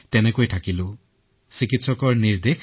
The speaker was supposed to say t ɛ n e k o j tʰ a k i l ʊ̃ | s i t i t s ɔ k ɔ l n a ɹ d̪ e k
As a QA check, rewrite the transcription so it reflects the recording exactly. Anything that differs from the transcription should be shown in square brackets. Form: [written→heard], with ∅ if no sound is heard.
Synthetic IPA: t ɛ n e k o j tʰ a k i l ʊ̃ | s i [t→k] i t s ɔ k ɔ [l→ɹ] n [a→i] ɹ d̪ e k

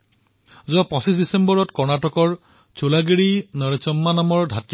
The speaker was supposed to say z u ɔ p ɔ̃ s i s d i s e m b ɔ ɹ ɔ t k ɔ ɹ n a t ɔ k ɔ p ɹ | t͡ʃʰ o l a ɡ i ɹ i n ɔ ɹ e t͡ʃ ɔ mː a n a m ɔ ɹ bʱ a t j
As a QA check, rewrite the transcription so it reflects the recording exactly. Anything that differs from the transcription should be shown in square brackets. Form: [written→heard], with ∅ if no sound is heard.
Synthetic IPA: z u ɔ p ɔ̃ s i s d i s e m b ɔ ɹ ɔ t k ɔ ɹ n a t ɔ k ɔ [p→∅] ɹ | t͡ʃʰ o l a ɡ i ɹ i n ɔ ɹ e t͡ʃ ɔ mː a n a m ɔ ɹ [bʱ→dʱ] a t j

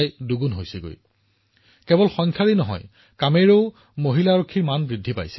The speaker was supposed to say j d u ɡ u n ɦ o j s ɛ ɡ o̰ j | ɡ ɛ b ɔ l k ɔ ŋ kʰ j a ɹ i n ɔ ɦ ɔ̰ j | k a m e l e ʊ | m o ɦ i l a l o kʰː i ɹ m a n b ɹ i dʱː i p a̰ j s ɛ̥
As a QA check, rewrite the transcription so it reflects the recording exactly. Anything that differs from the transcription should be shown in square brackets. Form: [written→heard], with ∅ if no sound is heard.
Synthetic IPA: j d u ɡ u n ɦ o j s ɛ ɡ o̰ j | [ɡ→k] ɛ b ɔ l [k→x] ɔ ŋ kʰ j a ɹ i n ɔ ɦ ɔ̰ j | k a m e [l→ɹ] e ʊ | m o ɦ i l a [l→ɹ] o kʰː i ɹ m a n b ɹ i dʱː i p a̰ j s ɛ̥

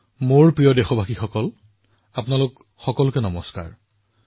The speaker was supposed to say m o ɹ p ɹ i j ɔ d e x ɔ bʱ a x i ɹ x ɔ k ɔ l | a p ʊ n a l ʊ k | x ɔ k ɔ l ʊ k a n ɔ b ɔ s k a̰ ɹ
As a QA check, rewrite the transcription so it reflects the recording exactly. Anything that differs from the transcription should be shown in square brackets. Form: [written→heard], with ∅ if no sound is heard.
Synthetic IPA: m o ɹ p ɹ i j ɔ d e x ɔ bʱ a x i [ɹ→∅] x ɔ k ɔ l | a p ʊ n a l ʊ k | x ɔ k ɔ l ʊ k [a→ɛ] n ɔ [b→m] ɔ s k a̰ ɹ

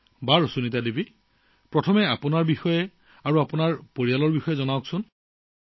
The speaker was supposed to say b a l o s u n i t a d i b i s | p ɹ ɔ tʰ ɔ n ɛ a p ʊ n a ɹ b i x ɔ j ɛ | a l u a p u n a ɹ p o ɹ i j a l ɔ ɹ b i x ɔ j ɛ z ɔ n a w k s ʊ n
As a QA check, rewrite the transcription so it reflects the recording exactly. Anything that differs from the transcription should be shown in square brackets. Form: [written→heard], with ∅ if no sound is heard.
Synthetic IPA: b a [l→ɹ] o s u n i t a d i b i [s→∅] | p ɹ ɔ tʰ ɔ [n→m] ɛ a p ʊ n a ɹ b i x ɔ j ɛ | a [l→ɹ] u a p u n a ɹ p o ɹ i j a l ɔ ɹ b i x ɔ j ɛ z ɔ n a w k s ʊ n

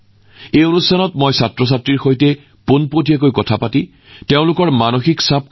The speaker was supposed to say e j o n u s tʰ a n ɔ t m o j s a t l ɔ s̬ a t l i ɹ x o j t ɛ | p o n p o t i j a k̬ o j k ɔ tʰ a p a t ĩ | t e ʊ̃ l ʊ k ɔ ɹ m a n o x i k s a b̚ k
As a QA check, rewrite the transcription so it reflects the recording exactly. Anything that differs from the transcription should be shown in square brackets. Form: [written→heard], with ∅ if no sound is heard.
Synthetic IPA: e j o n u s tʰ a n ɔ t m o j s a t [l→ɹ] ɔ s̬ a t [l→ɹ] i ɹ x o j t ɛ | p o n p o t i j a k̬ o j k ɔ tʰ a p a t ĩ | t e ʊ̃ l ʊ k ɔ ɹ m a n o x i k s a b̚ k

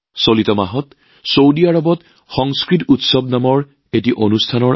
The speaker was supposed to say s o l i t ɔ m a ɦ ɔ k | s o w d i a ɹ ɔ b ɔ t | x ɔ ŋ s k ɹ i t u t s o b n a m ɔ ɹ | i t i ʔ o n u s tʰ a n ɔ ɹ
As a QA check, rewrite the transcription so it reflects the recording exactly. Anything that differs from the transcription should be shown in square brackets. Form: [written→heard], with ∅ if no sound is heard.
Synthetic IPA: s o l i t ɔ m a ɦ ɔ [k→t] | s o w d i a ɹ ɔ b ɔ t | x ɔ ŋ s k ɹ i t u t s [o→ɔ] b n a m ɔ ɹ | [i→e] t i ʔ o n u s tʰ a n ɔ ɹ

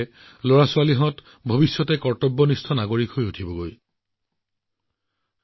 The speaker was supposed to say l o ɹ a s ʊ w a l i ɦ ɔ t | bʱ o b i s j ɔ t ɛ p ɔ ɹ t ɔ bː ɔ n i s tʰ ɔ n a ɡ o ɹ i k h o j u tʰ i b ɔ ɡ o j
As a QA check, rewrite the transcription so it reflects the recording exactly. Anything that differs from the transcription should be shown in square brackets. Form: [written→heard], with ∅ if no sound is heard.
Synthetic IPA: l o ɹ a s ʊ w a l i ɦ ɔ t | bʱ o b i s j ɔ t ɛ [p→k] ɔ ɹ t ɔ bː ɔ n i s tʰ ɔ n a ɡ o ɹ i k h o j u tʰ i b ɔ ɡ o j

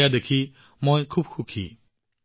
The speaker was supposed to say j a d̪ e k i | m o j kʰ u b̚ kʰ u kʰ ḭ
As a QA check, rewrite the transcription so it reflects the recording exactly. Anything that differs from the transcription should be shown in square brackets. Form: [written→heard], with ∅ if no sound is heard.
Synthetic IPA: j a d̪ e [k→kʰ] i | m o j kʰ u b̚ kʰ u kʰ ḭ

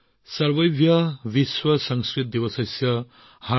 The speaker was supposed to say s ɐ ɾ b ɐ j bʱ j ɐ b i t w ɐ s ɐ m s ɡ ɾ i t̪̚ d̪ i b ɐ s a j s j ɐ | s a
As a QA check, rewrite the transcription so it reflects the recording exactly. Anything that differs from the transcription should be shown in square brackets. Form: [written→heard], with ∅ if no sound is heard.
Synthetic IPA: s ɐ ɾ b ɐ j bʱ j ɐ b i [t→s] w ɐ s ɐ [m→ŋ] s [ɡ→k] ɾ i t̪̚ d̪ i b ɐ s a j s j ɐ | [s→h] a

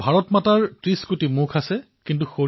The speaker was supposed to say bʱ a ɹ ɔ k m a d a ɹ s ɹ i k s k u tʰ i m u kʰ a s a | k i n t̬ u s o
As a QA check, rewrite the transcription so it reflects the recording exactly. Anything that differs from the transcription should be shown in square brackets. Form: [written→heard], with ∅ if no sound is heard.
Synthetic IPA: bʱ a ɹ ɔ [k→t] m a [d→t] a ɹ [s→t] ɹ i [k→∅] s k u [tʰ→t] i m u kʰ a s [a→ɛ] | k i n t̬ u [s→x] o

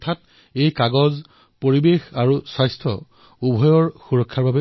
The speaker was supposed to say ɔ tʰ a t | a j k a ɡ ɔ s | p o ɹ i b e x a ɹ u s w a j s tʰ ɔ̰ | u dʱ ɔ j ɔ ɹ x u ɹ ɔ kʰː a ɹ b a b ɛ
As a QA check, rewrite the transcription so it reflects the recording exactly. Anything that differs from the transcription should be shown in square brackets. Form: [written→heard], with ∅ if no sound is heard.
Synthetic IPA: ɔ tʰ a t | [a→e] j k a ɡ ɔ [s→z] | p o ɹ i b e x a ɹ u s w a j s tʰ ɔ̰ | u [dʱ→bʱ] ɔ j ɔ ɹ x u ɹ ɔ kʰː a ɹ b a b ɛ

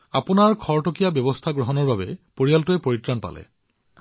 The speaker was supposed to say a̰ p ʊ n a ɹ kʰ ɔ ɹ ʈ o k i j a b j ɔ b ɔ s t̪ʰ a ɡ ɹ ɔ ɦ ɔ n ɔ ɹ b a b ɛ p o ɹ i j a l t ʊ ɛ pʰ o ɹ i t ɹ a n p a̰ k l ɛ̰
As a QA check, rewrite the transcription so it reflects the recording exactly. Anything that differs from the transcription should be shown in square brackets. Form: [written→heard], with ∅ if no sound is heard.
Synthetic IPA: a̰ p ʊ n a ɹ kʰ ɔ ɹ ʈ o k i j a b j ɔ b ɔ s t̪ʰ a ɡ ɹ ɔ ɦ ɔ n ɔ ɹ b a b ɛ p o ɹ i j a l t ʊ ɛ [pʰ→p] o ɹ i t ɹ a n p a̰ [k→∅] l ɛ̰

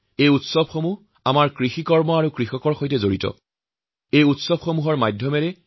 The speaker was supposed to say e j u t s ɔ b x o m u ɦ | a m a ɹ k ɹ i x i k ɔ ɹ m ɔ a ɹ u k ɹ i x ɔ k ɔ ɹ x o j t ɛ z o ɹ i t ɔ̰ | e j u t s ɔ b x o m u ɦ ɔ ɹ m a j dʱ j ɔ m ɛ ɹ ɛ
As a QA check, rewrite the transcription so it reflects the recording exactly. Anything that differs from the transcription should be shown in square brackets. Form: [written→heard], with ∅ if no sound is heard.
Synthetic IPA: e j u t s ɔ b x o m u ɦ | a m a ɹ k ɹ i x i k ɔ ɹ m ɔ a ɹ u k ɹ i x ɔ k ɔ ɹ x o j t ɛ z o ɹ i t ɔ̰ | e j u t s ɔ b x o m u ɦ ɔ ɹ m a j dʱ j ɔ m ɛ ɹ ɛ

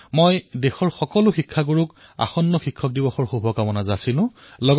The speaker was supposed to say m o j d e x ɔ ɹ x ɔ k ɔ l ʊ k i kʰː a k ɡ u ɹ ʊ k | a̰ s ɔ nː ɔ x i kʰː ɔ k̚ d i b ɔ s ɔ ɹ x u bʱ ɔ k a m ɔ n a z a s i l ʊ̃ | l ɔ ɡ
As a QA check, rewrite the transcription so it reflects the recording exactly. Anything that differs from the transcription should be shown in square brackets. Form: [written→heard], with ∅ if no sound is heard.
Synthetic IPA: m o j d e x ɔ ɹ x ɔ k ɔ l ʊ [k→x] i kʰː a [k→∅] ɡ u ɹ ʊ k | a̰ [s→x] ɔ nː ɔ x i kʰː ɔ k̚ d i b ɔ [s→x] ɔ ɹ x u bʱ ɔ k a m ɔ n a z a s i l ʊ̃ | l ɔ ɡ

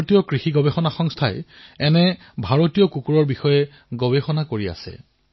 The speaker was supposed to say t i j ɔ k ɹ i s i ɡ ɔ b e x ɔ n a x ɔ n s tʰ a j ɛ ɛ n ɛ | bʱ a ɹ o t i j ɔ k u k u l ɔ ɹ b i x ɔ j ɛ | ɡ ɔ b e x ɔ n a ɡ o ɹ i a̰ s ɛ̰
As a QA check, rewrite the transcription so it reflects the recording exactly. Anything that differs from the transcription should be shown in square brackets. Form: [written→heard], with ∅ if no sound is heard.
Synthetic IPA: t i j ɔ k ɹ i [s→x] i ɡ ɔ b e x ɔ n a x ɔ [n→ŋ] s tʰ a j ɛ ɛ n ɛ | bʱ a ɹ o t i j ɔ k u k u [l→ɹ] ɔ ɹ b i x ɔ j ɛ | ɡ ɔ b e x ɔ n a [ɡ→k] o ɹ i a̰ s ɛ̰

